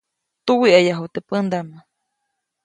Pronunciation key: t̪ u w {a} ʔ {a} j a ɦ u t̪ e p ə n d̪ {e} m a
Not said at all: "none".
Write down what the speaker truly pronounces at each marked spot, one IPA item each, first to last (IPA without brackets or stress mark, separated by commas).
i, a, a